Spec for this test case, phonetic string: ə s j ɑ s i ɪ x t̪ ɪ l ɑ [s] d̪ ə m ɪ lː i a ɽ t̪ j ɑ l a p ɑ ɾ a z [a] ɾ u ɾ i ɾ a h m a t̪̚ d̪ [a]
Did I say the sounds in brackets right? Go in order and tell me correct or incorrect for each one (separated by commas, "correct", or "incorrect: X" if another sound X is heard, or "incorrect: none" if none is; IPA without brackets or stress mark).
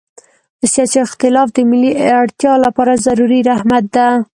incorrect: f, correct, correct